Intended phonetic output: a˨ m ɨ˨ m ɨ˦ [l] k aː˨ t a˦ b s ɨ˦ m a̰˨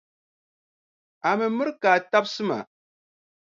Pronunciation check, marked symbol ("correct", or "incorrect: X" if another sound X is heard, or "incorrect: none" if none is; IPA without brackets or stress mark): incorrect: ɾ